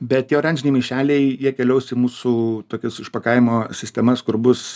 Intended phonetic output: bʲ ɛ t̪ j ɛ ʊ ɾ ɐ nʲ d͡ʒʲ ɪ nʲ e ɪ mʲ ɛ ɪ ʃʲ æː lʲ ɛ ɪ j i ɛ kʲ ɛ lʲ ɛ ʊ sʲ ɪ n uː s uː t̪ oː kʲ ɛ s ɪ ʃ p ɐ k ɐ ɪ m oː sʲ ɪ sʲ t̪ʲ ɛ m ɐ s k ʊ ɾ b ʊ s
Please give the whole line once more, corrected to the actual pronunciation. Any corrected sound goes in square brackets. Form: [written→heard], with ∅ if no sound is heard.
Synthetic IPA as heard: bʲ ɛ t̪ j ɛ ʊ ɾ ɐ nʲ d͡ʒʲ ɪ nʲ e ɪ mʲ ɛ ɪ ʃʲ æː lʲ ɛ ɪ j i ɛ kʲ ɛ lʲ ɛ ʊ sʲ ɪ [n→m] uː s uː t̪ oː kʲ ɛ s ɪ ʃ p ɐ k ɐ ɪ m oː sʲ ɪ sʲ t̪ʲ ɛ m ɐ s k ʊ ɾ b ʊ s

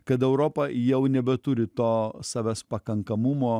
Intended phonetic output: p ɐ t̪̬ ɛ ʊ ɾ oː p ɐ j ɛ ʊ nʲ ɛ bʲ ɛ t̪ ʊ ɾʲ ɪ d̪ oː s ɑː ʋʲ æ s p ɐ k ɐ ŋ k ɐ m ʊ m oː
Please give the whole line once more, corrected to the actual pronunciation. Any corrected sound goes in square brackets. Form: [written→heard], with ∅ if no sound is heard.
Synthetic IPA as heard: [p→k] ɐ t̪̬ ɛ ʊ ɾ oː p ɐ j ɛ ʊ nʲ ɛ bʲ ɛ t̪ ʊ ɾʲ ɪ [d̪→t̪] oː s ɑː ʋʲ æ s p ɐ k ɐ ŋ k ɐ m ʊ m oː

